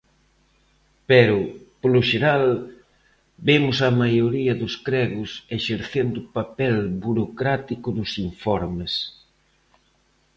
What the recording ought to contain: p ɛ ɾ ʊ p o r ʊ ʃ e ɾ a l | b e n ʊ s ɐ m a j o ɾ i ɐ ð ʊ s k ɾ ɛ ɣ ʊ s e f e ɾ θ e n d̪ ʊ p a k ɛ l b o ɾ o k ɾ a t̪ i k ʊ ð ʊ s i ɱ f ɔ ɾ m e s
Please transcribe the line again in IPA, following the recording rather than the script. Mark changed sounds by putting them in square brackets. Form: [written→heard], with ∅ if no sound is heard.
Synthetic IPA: p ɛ ɾ ʊ p o [r→l] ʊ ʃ e ɾ a l | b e [n→m] ʊ s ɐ m a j o ɾ i ɐ ð ʊ s k ɾ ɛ ɣ ʊ s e [f→ʃ] e ɾ θ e n d̪ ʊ p a [k→p] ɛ l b [o→u] ɾ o k ɾ a t̪ i k ʊ ð ʊ s i ɱ f ɔ ɾ m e s